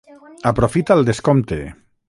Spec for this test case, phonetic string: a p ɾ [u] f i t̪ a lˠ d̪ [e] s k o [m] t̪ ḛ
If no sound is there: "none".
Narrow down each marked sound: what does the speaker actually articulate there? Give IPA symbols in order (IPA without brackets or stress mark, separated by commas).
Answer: o, e, m